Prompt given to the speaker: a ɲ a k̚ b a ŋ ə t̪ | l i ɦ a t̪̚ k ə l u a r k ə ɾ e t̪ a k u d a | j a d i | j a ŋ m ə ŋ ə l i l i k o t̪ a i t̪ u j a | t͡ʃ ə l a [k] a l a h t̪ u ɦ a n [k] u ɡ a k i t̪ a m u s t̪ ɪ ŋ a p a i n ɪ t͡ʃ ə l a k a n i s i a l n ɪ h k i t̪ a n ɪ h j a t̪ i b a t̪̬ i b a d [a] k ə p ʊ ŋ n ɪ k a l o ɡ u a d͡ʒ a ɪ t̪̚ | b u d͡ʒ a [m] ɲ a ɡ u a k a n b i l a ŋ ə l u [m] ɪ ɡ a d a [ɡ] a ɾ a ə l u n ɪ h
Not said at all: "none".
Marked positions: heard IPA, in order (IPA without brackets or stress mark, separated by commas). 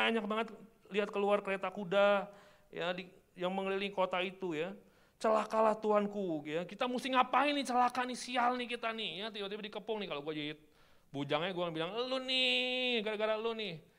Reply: k, k, i, ŋ, n, ɡ